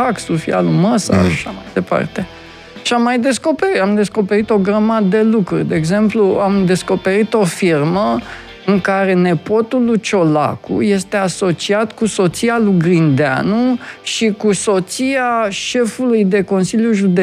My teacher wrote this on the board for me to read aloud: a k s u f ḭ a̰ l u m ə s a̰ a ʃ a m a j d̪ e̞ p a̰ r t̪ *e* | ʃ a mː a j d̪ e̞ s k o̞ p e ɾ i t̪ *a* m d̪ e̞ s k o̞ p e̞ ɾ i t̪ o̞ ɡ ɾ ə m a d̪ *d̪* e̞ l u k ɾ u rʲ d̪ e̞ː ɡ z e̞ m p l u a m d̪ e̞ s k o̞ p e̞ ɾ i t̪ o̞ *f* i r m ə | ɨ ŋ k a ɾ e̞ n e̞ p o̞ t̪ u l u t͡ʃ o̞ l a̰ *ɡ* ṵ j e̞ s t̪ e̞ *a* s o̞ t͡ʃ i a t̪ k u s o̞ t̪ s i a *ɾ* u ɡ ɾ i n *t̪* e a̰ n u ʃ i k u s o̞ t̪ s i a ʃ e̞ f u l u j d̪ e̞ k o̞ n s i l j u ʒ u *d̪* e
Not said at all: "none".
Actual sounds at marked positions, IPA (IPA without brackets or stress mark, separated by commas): e, a, d̪, f, k, a, l, d̪, d̪